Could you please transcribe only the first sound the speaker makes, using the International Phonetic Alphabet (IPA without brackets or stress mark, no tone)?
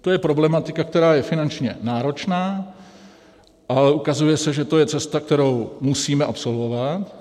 t̪